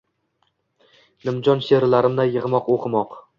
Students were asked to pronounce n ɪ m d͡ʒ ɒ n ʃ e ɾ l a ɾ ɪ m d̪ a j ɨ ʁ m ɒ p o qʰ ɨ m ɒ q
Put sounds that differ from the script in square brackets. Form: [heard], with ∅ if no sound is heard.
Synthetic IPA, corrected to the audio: n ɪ m d͡ʒ ɒ n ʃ e ɾ l a ɾ ɪ m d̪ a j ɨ ʁ m ɒ [q] o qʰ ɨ m ɒ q